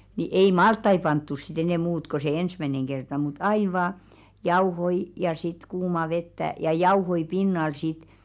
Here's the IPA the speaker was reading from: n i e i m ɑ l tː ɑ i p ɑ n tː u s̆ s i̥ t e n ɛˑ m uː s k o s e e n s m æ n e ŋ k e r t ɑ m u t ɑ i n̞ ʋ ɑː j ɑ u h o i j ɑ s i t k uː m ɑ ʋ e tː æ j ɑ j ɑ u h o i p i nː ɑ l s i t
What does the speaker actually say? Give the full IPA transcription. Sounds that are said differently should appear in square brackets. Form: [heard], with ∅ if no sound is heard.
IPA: n i e i m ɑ l tː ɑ i p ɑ n tː u s̆ s i̥ t e n ɛˑ m uː [t] k o s e e n s m æ n e ŋ k e r t ɑ m u t ɑ i n̞ ʋ ɑː j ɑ u h o i j ɑ s i t k uː m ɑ ʋ e tː æ j ɑ j ɑ u h o i p i nː ɑ l s i t